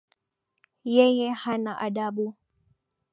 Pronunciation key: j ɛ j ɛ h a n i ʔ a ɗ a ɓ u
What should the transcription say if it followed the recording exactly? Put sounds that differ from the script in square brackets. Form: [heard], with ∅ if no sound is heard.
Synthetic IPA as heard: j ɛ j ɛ h a n [a] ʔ a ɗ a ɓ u

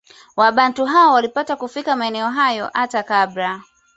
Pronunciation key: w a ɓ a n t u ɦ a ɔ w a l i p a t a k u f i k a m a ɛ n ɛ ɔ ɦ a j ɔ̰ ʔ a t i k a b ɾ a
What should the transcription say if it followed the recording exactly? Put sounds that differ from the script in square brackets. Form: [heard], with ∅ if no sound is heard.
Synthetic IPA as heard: w a ɓ a n t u ɦ a ɔ w a l i p a t a k u f i k a m a ɛ n ɛ ɔ ɦ a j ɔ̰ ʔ a t [a] k a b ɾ a

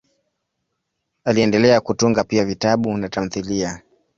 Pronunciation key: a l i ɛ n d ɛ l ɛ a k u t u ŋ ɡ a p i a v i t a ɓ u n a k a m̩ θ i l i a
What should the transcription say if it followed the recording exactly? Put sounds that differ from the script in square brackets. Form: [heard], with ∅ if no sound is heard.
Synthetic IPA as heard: a l i ɛ n d ɛ l ɛ a k u t u ŋ ɡ a p i a v i t a ɓ u n a [t] a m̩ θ i l i a

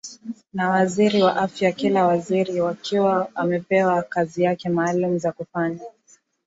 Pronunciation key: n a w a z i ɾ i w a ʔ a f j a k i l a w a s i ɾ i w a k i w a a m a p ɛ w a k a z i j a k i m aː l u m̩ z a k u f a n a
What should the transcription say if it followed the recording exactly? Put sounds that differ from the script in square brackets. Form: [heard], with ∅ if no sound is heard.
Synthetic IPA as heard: n a w a z i ɾ i w a ʔ a f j a k i l a w a [z] i ɾ i w a k i w a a m [ɛ] p ɛ w a k a z i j a k [ɛ] m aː l u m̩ z a k u f a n a

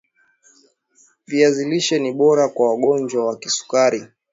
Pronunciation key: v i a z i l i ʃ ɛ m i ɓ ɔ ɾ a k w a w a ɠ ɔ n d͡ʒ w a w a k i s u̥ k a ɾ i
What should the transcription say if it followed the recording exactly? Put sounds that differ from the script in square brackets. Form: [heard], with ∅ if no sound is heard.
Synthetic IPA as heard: v i a z i l i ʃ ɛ [n] i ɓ ɔ ɾ a k w a w a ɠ ɔ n d͡ʒ w a w a k i s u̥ k a ɾ i

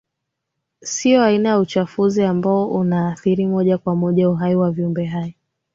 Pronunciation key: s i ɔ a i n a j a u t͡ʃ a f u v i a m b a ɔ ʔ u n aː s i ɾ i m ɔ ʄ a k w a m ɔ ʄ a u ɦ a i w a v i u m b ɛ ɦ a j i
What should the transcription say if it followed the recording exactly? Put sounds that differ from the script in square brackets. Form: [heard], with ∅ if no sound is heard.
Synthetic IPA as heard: s i ɔ a i n a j a u t͡ʃ a f u [z] i a m b a ɔ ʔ u n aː [θ] i ɾ i m ɔ ʄ a k w a m ɔ ʄ a u ɦ a i w a v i u m b ɛ ɦ a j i

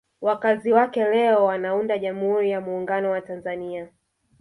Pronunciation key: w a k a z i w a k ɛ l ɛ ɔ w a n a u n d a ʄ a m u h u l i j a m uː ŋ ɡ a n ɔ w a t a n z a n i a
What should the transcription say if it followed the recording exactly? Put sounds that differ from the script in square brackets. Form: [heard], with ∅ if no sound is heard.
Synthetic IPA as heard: w a k a z i w a k ɛ l ɛ ɔ w a n a u n d a ʄ a m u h u [ɾ] i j a m uː ŋ ɡ a n ɔ w a t a n z a n i a

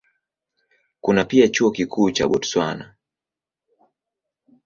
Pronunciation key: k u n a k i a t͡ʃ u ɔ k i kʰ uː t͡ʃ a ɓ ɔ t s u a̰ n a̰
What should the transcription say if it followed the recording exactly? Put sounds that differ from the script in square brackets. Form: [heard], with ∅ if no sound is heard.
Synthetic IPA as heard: k u n a [p] i a t͡ʃ u ɔ k i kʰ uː t͡ʃ a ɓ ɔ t s [w] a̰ n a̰

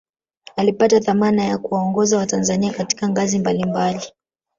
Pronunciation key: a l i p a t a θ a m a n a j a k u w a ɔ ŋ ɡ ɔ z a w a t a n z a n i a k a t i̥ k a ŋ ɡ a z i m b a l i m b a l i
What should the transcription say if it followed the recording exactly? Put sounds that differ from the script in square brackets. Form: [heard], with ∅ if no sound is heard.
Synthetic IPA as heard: a l i p a t a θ a m a n a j a k u w a ɔ ŋ ɡ ɔ z a w a t a n z a n i a k a t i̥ k a ŋ ɡ a z i m b a l i m b a l i

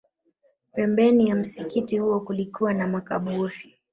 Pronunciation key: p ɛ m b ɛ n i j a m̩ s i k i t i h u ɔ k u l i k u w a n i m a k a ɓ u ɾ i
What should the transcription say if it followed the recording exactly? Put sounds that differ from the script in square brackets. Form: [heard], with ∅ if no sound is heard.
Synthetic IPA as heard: p ɛ m b ɛ n i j a m̩ s i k i t i h u ɔ k u l i k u w a n [a] m a k a ɓ u ɾ i

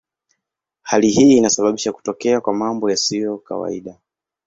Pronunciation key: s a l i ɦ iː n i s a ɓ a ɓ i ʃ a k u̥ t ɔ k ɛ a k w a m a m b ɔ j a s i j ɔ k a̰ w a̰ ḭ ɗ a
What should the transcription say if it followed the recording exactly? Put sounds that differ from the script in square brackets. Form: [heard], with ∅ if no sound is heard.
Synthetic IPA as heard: [h] a l i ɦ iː n [a] s a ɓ a ɓ i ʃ a k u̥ t ɔ k ɛ a k w a m a m b ɔ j a s i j ɔ k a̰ w a̰ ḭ ɗ a

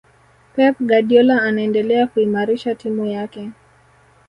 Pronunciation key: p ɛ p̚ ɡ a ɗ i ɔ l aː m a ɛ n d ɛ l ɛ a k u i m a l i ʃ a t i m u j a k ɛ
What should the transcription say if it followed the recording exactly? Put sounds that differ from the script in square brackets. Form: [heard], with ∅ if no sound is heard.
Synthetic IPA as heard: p ɛ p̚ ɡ a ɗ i ɔ l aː [n] a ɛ n d ɛ l ɛ a k u i m a [ɾ] i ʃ a t i m u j a k ɛ

